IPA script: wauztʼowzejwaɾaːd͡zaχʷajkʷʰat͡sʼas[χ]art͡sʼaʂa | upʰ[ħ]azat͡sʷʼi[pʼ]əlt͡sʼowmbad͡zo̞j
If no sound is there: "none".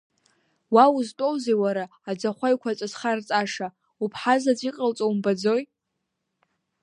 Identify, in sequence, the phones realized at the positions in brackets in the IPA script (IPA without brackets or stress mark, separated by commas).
χ, ħ, qʼ